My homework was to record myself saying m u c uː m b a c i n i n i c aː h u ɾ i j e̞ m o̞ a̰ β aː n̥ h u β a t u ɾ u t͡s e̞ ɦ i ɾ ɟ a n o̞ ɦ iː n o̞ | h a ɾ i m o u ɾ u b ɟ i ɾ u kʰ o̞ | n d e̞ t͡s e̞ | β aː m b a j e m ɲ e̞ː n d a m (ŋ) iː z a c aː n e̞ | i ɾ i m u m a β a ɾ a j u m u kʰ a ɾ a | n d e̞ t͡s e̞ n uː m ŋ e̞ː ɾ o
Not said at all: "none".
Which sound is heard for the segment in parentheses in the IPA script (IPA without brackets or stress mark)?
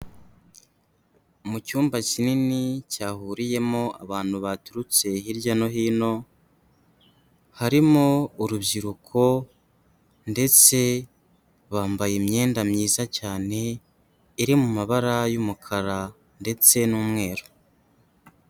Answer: ɲ